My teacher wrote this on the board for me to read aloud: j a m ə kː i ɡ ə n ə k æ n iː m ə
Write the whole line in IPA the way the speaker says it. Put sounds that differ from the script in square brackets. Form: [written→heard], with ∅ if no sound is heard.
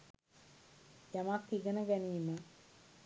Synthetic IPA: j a m [ə→a] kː i ɡ ə n ə [k→ɡ] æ n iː m ə